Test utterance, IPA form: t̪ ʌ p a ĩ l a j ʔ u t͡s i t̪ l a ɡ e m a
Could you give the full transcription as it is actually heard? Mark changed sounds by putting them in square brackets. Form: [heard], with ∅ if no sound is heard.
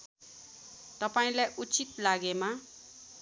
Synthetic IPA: t̪ ʌ p a ĩ l a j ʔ u t͡s i t̪ l a ɡ e m a